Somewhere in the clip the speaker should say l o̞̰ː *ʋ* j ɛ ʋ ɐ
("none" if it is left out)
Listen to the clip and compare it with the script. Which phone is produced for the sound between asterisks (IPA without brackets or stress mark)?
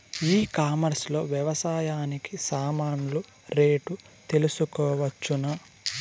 ʋ